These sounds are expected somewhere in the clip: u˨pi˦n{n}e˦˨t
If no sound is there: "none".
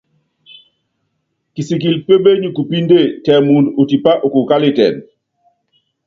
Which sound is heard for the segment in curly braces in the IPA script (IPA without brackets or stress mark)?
d